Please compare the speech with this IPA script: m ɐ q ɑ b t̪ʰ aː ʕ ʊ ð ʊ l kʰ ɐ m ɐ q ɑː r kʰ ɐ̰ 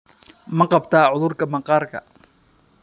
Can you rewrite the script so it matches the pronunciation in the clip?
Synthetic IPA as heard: m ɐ q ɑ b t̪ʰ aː ʕ ʊ ð ʊ r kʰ ɐ m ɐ q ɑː r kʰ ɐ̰